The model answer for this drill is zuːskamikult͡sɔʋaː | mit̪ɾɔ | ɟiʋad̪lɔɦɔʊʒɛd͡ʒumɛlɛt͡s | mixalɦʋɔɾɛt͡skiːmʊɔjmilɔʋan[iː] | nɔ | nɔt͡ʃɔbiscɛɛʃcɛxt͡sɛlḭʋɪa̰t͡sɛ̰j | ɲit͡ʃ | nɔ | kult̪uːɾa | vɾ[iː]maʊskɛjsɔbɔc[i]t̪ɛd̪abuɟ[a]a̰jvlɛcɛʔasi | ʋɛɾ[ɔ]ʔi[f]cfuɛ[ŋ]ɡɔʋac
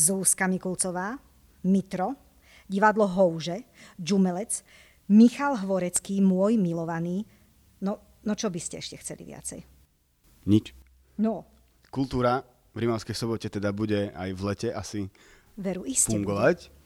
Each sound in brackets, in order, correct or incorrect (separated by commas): correct, incorrect, incorrect, incorrect, incorrect, incorrect, correct